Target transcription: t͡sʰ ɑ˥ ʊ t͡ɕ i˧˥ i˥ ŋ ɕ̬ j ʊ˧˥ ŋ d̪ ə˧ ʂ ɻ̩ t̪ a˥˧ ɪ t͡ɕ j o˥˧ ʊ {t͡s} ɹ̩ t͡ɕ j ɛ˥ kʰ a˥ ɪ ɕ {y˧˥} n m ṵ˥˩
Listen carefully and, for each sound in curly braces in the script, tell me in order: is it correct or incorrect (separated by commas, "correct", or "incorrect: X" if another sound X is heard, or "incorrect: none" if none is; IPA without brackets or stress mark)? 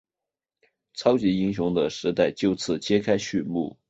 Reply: incorrect: t͡sʰ, incorrect: y˥˧